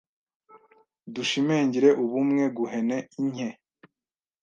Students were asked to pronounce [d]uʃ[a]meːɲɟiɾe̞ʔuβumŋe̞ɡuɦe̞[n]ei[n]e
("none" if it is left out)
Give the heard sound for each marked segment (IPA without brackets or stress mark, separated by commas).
d, i, n, ɲ